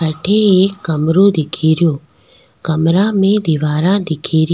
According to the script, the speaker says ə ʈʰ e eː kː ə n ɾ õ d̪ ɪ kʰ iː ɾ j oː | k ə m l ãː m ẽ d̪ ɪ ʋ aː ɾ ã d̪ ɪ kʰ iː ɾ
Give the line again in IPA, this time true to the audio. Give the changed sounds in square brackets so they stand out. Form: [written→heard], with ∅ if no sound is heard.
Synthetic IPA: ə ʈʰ e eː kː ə [n→m] ɾ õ d̪ ɪ kʰ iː ɾ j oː | k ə m [l→ɾ] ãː m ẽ d̪ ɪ ʋ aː ɾ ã d̪ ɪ kʰ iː ɾ